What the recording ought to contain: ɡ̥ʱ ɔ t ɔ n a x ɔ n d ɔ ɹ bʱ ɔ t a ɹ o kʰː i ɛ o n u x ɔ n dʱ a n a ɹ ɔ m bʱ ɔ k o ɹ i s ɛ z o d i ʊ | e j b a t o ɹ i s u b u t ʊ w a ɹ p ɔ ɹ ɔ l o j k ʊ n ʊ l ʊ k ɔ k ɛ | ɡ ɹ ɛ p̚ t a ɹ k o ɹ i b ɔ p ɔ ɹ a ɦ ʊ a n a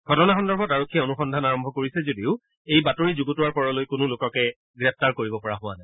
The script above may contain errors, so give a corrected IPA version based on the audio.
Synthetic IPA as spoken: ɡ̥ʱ ɔ t ɔ n a x ɔ n d ɔ ɹ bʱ ɔ t a ɹ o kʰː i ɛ o n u x ɔ n dʱ a n a ɹ ɔ m bʱ ɔ k o ɹ i s ɛ z o d i ʊ | e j b a t o ɹ i z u ɡ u t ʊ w a ɹ p ɔ ɹ ɔ l o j k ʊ n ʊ l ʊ k ɔ k ɛ | ɡ ɹ ɛ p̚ t a ɹ k o ɹ i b ɔ p ɔ ɹ a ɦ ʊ a n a

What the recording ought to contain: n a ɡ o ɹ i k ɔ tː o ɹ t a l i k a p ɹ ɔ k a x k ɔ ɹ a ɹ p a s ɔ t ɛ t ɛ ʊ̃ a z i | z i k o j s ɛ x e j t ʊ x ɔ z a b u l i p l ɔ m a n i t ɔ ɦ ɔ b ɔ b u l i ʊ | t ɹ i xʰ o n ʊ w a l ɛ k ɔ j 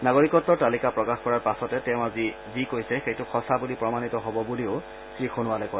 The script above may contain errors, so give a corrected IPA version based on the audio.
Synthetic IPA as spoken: n a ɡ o ɹ i k ɔ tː ɔ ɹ t a l i k a p ɹ ɔ k a x k ɔ ɹ a ɹ p a s ɔ t ɛ t ɛ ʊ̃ a z i | z i k o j s ɛ x e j t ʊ x ɔ s a b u l i p ɹ ɔ m a n i t ɔ ɦ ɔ b ɔ b u l i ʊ | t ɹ i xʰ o n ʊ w a l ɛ k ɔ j

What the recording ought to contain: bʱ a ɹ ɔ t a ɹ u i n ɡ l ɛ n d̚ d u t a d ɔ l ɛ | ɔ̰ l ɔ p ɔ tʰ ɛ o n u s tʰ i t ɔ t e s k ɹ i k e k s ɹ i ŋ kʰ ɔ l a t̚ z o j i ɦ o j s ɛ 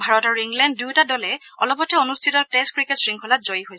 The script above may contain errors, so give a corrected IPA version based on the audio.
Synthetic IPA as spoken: bʱ a ɹ ɔ t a ɹ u i ŋ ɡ l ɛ n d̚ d u t a d ɔ l ɛ | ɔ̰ l ɔ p ɔ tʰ ɛ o n u s tʰ i t ɔ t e s k ɹ i k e t s ɹ i ŋ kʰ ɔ l a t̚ z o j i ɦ o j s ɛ

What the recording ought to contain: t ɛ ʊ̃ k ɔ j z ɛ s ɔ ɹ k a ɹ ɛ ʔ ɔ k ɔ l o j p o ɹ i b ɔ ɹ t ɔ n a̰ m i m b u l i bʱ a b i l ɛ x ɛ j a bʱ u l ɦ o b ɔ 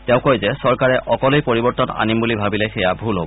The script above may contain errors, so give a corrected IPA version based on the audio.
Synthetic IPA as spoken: t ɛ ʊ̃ k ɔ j z ɛ s ɔ ɹ k a ɹ ɛ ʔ ɔ k ɔ l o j p o ɹ i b ɔ ɹ t ɔ n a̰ n i m b u l i bʱ a b i l ɛ x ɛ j a bʱ u l ɦ o b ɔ

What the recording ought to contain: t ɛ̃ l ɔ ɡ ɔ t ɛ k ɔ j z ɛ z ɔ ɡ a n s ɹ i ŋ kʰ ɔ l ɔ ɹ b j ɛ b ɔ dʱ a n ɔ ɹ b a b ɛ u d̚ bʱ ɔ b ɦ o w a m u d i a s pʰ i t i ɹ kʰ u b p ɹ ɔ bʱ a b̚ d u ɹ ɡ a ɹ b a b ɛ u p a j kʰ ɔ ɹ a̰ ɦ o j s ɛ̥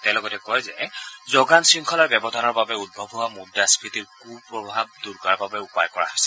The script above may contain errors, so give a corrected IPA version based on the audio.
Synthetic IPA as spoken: t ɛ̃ l ɔ ɡ ɔ t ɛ k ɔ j z ɛ z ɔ ɡ a n s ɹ i ŋ kʰ ɔ l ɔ ɹ b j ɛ b ɔ dʱ a n ɔ ɹ b a b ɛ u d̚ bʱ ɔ b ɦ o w a m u d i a s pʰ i t i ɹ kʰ u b p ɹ ɔ bʱ a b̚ d u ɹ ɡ a ɹ b a b ɛ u p a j k ɔ ɹ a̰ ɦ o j s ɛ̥

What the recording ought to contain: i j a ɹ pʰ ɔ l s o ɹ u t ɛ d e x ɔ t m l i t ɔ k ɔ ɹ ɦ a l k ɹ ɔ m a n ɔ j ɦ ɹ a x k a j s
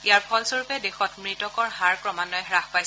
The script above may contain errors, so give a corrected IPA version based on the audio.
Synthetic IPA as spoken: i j a ɹ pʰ ɔ l s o ɹ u p ɛ d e x ɔ t m ɹ i t ɔ k ɔ ɹ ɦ a ɹ k ɹ ɔ m a n ɔ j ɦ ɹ a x p a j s

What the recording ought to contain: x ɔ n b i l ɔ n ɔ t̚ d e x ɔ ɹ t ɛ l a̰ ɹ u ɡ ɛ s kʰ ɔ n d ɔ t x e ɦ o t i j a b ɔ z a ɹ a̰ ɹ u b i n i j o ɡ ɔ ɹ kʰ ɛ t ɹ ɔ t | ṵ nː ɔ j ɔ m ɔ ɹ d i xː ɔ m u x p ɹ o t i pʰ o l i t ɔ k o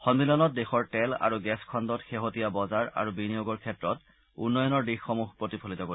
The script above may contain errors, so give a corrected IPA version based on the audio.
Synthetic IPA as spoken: x ɔ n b i l ɔ n ɔ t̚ d e x ɔ ɹ t ɛ l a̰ ɹ u ɡ ɛ s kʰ ɔ n d ɔ t x e ɦ o t i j a b ɔ z a ɹ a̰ ɹ u b i n i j o ɡ ɔ ɹ kʰ ɛ t ɹ ɔ t | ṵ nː ɔ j ɔ n ɔ ɹ d i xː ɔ m u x p ɹ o t i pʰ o l i t ɔ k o

